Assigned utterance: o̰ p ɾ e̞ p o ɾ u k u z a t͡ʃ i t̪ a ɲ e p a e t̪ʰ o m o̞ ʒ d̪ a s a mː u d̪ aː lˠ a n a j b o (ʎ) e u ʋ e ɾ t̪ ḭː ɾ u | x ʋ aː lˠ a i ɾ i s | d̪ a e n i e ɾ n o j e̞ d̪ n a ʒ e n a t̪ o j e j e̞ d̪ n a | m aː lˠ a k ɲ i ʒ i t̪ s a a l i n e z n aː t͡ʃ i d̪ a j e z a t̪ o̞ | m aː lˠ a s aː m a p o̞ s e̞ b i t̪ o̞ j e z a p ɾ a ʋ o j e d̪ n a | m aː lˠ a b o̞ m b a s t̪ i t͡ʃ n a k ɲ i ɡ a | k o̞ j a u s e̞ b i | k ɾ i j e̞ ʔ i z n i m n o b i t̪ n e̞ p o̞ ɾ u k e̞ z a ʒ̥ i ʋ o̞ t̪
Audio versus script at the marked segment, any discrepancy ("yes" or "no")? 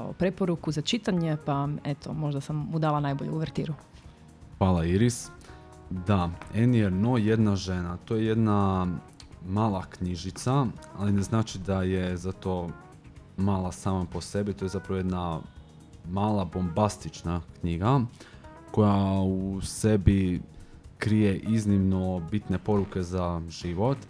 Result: no